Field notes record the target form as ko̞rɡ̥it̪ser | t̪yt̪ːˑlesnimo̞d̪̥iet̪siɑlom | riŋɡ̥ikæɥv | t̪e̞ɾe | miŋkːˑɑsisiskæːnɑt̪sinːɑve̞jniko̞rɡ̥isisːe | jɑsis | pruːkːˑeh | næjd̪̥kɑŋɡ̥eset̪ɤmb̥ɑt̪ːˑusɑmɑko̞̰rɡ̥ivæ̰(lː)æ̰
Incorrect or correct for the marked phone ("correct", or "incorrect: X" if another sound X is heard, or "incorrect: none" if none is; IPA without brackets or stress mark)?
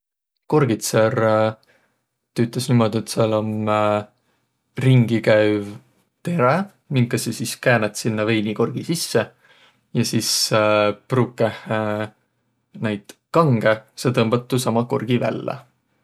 correct